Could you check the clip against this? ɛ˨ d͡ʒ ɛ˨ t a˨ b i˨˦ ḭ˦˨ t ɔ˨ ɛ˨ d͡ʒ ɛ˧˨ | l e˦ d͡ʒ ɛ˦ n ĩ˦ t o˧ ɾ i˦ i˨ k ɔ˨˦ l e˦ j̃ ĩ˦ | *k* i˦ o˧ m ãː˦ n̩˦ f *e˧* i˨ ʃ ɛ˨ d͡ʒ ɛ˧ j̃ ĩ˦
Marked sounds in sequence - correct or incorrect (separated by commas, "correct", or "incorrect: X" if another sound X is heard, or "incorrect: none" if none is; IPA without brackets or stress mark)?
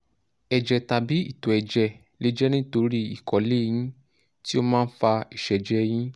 incorrect: t, incorrect: a˧